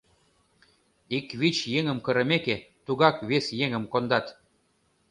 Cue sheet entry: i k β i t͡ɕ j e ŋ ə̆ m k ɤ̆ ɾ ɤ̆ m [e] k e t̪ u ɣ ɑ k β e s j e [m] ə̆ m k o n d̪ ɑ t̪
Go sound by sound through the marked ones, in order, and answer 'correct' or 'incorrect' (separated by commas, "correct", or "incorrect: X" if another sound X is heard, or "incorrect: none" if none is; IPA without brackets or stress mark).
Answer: correct, incorrect: ŋ